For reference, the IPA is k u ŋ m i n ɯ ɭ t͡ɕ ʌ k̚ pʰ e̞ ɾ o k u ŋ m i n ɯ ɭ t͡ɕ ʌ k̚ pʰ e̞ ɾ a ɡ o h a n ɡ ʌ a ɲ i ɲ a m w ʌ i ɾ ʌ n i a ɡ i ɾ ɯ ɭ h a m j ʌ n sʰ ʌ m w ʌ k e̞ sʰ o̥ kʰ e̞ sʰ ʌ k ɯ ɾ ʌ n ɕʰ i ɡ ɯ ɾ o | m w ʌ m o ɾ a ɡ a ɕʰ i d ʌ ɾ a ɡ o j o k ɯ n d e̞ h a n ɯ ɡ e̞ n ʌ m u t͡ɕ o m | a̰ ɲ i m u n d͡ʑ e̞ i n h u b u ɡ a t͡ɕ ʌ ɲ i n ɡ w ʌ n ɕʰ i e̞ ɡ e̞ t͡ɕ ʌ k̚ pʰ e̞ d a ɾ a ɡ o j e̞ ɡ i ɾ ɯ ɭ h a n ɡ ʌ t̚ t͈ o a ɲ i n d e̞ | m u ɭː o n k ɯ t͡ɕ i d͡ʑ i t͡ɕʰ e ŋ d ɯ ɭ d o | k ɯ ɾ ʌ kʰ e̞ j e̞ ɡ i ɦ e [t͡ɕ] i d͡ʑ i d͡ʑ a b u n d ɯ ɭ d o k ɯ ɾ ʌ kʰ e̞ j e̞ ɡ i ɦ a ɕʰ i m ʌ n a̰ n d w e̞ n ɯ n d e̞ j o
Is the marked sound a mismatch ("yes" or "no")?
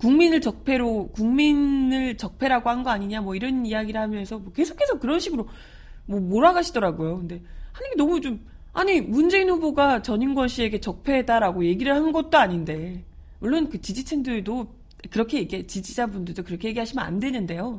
no